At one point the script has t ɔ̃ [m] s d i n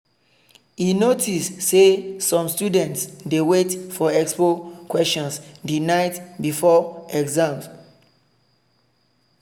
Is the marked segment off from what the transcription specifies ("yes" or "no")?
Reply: yes